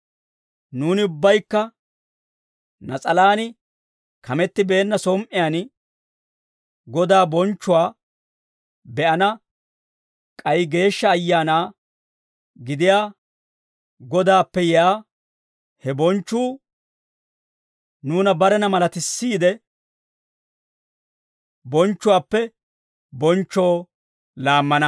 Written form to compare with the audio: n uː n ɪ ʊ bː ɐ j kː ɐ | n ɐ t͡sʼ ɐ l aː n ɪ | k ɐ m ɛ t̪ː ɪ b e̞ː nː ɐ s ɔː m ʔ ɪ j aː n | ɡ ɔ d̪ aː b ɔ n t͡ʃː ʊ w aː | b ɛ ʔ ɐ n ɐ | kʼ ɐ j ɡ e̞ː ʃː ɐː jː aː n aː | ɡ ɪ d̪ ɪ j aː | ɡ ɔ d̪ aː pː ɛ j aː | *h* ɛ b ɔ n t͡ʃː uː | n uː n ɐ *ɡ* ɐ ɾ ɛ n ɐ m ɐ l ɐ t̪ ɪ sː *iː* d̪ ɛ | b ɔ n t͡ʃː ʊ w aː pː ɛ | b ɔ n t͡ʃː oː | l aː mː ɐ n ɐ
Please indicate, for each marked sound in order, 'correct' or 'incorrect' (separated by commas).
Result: correct, incorrect, correct